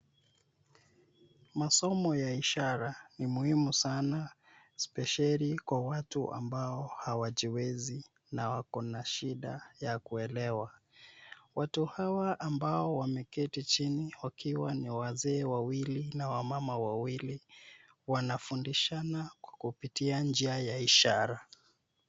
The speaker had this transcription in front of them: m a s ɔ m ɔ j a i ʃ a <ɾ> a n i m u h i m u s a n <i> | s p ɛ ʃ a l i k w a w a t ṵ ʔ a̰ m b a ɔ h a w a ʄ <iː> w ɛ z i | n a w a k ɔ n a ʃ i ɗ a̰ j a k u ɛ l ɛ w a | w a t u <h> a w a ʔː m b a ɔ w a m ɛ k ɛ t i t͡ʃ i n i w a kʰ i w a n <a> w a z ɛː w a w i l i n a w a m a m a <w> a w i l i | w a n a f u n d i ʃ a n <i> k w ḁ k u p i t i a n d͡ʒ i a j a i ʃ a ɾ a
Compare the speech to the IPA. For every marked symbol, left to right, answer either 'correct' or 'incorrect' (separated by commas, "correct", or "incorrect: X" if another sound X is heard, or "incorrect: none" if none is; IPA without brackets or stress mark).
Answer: correct, incorrect: a, incorrect: i, correct, incorrect: i, correct, incorrect: a